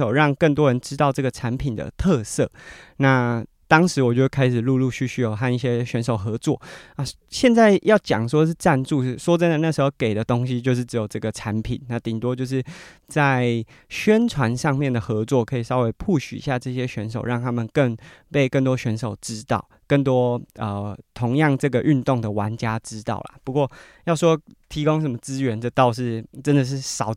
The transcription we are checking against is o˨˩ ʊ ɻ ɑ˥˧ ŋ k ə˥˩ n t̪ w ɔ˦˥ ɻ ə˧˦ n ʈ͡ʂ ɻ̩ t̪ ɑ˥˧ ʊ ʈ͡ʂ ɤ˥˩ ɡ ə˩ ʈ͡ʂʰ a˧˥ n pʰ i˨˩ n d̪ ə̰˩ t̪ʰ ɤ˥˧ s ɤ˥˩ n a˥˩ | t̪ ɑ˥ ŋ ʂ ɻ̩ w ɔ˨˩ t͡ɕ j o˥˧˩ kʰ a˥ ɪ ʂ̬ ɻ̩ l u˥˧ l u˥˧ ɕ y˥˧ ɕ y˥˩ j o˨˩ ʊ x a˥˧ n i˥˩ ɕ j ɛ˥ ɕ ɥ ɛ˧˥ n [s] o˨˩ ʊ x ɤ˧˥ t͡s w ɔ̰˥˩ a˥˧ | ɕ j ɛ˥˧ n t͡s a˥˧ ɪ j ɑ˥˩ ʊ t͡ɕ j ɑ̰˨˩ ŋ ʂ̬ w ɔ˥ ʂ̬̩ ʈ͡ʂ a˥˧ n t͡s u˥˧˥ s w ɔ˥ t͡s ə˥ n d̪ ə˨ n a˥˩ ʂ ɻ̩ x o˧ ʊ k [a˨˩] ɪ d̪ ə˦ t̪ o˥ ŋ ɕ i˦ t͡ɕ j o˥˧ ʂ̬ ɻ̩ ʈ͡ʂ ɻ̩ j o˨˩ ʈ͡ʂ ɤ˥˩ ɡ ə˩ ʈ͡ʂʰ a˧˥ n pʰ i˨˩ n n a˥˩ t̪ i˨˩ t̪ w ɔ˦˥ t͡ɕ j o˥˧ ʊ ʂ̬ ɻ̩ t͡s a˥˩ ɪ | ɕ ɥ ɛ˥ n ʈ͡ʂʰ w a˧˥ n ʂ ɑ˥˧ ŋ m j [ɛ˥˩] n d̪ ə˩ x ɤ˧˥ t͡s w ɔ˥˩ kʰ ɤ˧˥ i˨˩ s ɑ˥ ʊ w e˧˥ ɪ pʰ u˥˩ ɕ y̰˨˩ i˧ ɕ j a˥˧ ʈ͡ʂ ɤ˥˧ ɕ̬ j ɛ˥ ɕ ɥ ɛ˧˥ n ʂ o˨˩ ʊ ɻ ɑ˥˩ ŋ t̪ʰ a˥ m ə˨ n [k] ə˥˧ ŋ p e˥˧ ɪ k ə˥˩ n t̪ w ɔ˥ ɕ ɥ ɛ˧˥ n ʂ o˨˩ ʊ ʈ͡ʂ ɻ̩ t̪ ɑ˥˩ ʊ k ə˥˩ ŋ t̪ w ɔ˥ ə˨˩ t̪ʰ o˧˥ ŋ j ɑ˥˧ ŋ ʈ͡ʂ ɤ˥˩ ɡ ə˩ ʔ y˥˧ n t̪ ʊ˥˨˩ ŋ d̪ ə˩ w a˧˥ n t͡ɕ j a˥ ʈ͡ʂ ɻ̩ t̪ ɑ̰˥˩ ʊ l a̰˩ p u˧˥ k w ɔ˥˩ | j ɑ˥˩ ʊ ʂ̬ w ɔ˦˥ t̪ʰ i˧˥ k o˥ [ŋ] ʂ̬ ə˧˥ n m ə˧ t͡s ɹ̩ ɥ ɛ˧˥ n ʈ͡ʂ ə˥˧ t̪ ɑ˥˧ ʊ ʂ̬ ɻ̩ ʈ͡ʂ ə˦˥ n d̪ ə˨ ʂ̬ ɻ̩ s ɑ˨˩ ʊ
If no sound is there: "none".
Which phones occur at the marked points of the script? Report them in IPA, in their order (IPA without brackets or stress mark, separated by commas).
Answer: ʂ, e˨˩, ɛ˥˩, k, ŋ